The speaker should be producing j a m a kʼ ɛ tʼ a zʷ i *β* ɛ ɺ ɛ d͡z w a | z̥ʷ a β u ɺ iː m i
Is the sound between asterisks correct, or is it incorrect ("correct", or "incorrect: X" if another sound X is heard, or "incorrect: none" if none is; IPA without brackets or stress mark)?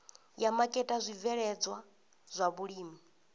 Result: incorrect: v